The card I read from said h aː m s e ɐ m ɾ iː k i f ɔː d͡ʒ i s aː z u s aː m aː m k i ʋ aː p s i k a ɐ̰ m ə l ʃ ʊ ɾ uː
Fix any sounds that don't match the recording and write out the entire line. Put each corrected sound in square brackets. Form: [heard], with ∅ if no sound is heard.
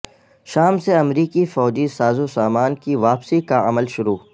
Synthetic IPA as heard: [ʃ] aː m s e ɐ m ɾ iː k i f ɔː d͡ʒ i s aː z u s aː m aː [n] k i ʋ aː p s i k a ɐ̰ m ə l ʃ ʊ ɾ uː